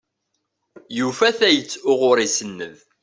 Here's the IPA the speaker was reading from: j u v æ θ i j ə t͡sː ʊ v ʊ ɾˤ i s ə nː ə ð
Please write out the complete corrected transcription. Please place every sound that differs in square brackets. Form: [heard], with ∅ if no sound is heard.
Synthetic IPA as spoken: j u [f] æ θ [æ] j ə t͡sː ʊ [ʁ] ʊ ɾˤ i s ə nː ə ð